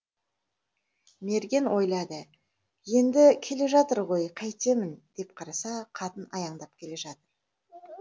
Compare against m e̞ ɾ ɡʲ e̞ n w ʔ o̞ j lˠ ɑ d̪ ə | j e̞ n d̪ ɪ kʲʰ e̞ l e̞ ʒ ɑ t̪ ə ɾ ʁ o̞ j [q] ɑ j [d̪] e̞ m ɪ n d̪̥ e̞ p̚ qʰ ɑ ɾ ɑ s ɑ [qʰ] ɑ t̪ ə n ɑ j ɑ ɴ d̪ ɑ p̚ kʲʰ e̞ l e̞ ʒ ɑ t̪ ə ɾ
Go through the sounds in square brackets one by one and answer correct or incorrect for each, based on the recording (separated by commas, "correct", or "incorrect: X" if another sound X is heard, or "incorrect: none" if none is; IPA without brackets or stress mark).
incorrect: qʰ, incorrect: t̪, correct